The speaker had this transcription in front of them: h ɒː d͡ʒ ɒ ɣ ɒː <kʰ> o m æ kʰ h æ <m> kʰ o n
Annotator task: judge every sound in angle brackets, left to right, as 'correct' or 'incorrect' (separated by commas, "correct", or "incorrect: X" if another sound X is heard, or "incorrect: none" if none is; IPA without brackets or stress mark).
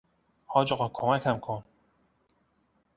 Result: correct, correct